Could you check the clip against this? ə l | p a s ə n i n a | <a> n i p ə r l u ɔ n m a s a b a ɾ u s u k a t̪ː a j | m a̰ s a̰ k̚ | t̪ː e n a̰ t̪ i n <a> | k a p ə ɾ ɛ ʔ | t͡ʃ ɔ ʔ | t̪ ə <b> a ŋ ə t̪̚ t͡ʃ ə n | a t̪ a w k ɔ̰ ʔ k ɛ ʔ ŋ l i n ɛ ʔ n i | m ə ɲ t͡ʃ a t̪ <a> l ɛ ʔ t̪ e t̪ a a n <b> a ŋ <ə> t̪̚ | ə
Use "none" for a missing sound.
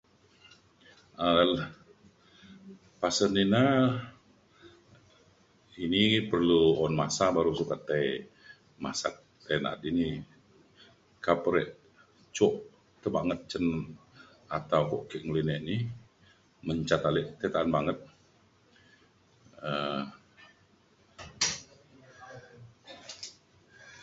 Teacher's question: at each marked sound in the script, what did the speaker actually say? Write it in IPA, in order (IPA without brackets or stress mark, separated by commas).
i, i, b, a, b, ə